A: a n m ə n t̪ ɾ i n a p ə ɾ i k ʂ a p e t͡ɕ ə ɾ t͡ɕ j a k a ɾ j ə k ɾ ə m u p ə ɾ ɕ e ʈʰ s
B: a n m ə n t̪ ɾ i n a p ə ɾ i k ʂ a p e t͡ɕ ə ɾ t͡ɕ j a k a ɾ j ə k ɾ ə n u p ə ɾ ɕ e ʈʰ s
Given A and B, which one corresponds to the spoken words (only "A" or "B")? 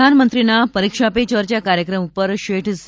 A